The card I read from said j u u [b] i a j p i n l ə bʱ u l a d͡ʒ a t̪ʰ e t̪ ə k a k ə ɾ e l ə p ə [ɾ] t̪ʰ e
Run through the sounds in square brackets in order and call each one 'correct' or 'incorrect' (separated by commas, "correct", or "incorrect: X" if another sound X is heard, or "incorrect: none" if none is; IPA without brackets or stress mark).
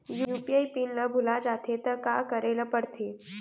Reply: incorrect: p, incorrect: ɽ